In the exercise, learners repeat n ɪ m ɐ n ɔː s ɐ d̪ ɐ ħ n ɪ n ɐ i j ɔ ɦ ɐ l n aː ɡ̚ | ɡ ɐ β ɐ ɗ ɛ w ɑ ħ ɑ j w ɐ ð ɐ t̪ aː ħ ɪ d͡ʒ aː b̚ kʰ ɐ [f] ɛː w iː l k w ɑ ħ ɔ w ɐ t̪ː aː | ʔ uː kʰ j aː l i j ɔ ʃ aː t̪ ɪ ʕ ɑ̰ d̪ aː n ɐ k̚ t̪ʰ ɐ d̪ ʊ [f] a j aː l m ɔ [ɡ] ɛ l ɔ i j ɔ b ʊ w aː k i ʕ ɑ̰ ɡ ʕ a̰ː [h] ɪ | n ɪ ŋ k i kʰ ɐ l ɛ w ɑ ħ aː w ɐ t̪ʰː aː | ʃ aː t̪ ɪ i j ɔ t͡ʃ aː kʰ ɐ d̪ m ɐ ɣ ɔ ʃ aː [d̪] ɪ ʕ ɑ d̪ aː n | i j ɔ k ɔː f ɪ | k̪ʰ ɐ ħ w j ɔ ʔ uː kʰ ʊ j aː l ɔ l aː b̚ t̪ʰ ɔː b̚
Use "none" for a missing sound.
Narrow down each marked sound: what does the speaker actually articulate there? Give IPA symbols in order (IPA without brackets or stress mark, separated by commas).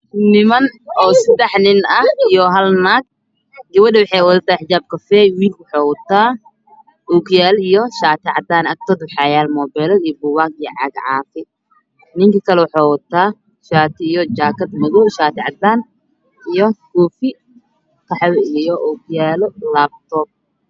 f, ħ, b, f, t̪